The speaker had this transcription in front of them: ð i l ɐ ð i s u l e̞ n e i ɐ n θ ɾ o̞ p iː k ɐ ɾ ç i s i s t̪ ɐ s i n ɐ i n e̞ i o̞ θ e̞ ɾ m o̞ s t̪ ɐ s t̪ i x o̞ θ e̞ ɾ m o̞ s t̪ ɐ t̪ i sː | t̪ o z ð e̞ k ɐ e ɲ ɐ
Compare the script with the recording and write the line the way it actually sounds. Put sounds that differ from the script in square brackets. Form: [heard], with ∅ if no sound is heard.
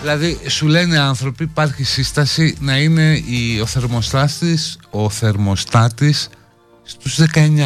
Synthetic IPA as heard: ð i l ɐ ð i s u l e̞ n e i ɐ n θ ɾ o̞ p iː [p] ɐ ɾ ç i s i s t̪ ɐ s i n ɐ i n e̞ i o̞ θ e̞ ɾ m o̞ s t̪ ɐ s t̪ i [s] o̞ θ e̞ ɾ m o̞ s t̪ ɐ t̪ i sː | t̪ [u] z ð e̞ k ɐ e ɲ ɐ